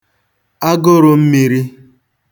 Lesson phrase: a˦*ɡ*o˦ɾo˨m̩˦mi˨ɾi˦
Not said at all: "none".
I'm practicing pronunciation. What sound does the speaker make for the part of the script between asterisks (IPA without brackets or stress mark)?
ɡ